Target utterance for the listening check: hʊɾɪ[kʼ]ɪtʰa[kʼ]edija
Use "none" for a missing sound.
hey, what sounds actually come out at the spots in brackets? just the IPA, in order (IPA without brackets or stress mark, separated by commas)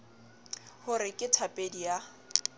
kʼ, pʼ